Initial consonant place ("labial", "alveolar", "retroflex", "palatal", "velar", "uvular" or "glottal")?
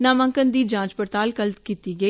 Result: alveolar